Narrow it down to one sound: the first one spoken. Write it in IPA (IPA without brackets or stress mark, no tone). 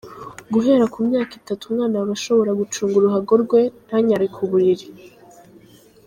ɡ